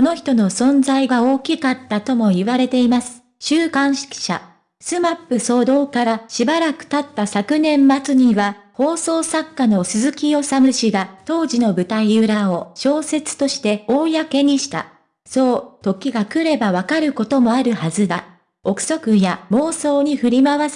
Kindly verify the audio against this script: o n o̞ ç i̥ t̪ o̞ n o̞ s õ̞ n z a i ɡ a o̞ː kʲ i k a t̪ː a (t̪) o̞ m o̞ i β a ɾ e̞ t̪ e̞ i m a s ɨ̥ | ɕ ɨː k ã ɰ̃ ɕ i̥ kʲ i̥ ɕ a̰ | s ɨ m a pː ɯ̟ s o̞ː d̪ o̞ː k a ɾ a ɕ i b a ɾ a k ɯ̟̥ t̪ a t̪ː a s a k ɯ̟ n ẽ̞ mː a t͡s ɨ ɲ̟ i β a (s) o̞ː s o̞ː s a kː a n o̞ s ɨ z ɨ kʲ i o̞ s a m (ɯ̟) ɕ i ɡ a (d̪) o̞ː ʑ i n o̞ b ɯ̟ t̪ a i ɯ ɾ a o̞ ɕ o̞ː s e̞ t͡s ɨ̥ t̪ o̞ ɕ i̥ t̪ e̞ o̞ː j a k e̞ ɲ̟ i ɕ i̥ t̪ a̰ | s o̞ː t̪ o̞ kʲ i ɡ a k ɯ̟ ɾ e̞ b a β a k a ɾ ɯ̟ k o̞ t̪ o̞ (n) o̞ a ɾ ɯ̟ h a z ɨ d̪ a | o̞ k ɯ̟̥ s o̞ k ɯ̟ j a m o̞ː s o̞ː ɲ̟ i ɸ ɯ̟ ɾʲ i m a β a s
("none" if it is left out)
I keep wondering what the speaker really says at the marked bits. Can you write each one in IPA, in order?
t̪, h, ɯ̟, t̪, m

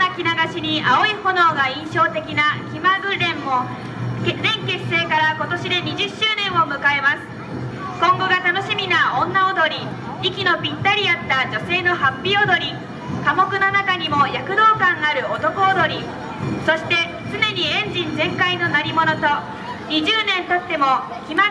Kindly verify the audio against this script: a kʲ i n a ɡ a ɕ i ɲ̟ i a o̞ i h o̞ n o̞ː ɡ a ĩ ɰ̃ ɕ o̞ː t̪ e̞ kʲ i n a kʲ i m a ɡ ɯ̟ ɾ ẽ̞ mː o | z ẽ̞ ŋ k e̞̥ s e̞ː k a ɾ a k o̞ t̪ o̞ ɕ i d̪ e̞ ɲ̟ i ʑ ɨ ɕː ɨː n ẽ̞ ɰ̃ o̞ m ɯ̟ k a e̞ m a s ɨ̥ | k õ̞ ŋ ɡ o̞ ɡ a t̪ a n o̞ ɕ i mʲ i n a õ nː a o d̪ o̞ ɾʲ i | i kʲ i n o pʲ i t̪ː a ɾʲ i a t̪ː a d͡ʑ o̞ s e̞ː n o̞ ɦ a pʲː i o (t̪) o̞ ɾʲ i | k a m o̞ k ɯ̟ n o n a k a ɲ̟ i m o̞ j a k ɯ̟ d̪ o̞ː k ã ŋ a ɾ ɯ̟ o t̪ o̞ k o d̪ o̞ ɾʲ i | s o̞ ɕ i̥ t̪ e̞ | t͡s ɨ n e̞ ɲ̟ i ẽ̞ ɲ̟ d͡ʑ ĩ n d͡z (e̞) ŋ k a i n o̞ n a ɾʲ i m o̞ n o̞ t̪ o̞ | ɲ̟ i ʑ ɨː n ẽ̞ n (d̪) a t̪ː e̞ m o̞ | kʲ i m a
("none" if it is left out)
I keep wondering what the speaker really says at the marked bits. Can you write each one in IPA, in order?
d̪, ẽ̞, t̪

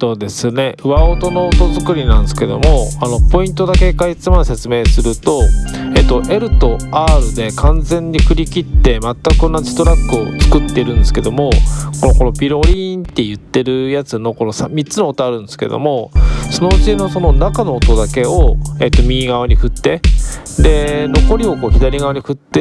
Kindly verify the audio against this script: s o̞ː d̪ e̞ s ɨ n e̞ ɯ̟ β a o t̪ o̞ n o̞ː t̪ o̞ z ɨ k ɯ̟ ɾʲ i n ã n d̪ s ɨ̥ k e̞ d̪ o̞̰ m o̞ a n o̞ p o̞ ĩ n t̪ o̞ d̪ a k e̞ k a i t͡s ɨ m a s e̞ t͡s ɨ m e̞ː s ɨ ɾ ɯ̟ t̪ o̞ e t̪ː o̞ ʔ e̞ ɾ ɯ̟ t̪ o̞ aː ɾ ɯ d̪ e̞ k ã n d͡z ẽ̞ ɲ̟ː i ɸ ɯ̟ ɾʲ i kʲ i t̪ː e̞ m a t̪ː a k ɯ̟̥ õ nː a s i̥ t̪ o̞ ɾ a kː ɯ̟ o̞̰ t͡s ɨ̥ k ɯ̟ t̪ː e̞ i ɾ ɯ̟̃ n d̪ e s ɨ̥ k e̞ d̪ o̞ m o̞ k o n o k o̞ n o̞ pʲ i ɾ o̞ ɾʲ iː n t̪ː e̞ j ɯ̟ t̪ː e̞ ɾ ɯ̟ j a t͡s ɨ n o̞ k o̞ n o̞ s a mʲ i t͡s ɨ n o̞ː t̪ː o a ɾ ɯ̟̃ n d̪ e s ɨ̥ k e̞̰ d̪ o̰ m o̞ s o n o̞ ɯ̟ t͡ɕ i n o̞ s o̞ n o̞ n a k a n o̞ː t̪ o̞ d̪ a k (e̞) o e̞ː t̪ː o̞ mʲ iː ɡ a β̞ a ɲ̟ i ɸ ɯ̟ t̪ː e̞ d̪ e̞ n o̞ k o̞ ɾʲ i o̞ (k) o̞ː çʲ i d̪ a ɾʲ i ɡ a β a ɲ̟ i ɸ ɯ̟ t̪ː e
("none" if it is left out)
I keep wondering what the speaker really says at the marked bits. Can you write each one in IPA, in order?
e̞, k

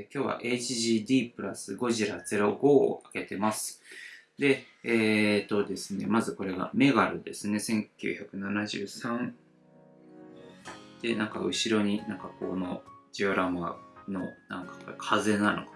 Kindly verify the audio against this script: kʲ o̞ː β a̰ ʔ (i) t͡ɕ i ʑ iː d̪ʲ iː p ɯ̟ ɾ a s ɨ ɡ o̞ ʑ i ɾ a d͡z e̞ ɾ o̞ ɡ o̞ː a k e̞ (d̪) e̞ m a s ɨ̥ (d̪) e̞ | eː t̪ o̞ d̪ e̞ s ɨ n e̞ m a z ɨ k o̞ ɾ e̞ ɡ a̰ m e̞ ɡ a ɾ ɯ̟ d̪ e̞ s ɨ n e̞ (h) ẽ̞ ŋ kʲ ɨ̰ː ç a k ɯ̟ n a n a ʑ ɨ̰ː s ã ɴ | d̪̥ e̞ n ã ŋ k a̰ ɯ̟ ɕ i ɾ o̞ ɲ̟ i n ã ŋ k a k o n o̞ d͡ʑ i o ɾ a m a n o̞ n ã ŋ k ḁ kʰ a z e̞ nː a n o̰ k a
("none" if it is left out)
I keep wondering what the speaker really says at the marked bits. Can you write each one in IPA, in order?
e, t̪, d̪, s

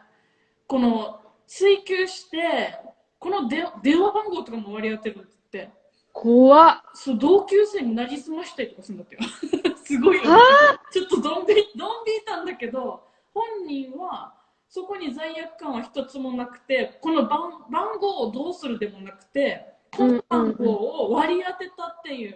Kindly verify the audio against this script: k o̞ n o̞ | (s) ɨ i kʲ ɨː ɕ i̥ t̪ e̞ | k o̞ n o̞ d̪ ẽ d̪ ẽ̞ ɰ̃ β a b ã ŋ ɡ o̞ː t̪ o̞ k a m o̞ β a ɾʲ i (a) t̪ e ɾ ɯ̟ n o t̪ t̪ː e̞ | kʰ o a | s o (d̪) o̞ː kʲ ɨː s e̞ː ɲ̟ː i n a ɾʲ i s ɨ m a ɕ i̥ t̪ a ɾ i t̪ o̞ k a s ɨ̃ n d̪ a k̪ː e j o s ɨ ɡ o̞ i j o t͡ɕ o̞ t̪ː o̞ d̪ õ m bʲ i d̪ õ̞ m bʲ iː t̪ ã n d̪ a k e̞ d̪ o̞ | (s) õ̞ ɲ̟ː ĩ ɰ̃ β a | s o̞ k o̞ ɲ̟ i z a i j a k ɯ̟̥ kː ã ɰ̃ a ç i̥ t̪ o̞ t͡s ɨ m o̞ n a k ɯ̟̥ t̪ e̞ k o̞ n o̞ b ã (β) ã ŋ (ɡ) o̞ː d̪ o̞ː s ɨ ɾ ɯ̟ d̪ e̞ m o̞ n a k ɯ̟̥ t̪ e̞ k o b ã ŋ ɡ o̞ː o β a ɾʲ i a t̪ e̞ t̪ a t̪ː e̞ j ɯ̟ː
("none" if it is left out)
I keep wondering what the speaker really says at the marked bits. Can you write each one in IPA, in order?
t͡s, a, d̪, h, b, ɡ

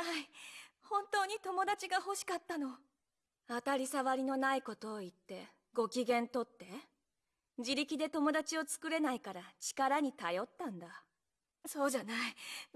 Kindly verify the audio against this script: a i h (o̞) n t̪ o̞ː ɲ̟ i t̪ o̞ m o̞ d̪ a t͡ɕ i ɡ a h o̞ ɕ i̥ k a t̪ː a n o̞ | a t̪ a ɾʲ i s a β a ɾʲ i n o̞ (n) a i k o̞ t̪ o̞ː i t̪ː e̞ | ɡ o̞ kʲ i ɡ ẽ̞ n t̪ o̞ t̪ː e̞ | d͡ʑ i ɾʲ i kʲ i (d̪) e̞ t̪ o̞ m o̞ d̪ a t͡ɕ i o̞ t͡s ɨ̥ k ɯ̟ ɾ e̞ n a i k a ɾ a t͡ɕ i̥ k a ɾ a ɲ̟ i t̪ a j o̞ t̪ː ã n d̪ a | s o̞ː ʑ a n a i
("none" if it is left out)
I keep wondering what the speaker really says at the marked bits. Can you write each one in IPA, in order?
õ̞, n, d̪

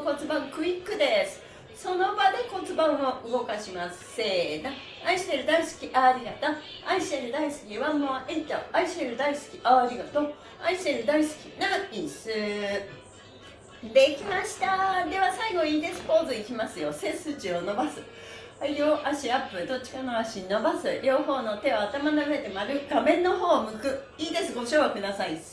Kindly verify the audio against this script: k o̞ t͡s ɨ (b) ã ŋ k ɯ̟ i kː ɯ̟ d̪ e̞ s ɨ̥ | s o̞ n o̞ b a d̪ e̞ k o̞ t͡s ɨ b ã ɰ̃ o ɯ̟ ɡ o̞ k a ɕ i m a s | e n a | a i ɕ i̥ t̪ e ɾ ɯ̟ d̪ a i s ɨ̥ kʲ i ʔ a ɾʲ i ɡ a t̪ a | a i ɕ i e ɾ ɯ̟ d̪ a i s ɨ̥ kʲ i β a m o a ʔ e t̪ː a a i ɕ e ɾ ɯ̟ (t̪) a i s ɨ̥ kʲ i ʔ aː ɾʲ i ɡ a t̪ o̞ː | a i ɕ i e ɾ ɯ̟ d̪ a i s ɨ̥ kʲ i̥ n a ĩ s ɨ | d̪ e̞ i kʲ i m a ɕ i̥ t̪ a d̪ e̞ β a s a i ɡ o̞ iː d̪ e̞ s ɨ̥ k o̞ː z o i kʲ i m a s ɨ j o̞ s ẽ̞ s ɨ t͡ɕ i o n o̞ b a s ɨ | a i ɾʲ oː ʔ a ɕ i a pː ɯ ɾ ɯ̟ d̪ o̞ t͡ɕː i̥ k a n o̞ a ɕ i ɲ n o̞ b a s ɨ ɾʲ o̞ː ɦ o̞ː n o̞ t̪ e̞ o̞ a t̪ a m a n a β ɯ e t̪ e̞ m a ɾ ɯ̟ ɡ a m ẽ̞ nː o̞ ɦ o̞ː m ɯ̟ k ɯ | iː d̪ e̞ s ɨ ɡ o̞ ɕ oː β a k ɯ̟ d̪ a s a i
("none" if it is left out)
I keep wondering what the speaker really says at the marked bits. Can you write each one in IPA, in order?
b, d̪

